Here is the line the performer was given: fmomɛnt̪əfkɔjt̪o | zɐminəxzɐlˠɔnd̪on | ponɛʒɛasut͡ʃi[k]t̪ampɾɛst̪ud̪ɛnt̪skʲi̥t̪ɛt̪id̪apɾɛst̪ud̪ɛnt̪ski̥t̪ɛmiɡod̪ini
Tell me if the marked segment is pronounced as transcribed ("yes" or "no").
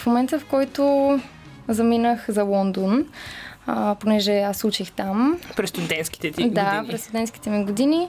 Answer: no